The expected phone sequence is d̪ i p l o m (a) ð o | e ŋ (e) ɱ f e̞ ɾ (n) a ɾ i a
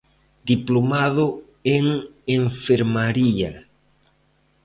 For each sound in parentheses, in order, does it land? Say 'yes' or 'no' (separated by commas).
yes, yes, no